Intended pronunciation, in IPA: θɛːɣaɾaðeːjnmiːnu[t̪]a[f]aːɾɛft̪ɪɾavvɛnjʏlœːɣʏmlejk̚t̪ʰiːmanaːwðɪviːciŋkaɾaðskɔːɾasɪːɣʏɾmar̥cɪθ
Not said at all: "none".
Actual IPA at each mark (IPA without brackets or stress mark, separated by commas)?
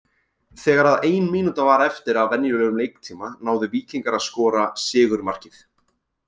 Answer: t̪, v